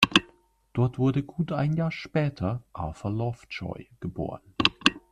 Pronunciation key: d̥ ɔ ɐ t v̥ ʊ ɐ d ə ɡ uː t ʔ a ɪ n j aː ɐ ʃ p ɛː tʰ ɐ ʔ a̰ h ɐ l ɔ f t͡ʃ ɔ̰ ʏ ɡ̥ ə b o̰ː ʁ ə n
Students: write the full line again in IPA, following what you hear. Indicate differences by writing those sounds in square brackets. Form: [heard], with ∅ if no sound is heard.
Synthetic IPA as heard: d̥ ɔ ɐ t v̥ ʊ ɐ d ə ɡ uː t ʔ a ɪ n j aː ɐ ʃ p ɛː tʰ ɐ ʔ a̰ [f] ɐ l ɔ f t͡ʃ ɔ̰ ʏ ɡ̥ ə b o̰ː ʁ ə n